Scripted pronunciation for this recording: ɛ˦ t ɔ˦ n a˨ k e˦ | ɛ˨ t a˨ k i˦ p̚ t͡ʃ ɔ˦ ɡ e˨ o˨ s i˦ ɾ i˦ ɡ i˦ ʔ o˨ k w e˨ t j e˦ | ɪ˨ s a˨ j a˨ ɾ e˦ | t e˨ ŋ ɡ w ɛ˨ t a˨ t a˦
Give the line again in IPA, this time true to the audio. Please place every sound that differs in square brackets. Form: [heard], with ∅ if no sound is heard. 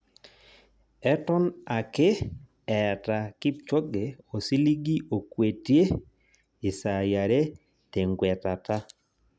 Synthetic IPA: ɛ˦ t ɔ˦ n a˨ k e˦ | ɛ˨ t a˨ k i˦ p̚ t͡ʃ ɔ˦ ɡ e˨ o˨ s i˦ [l] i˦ ɡ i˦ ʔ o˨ k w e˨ t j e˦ | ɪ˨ s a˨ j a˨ ɾ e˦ | t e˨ ŋ ɡ w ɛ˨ t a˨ t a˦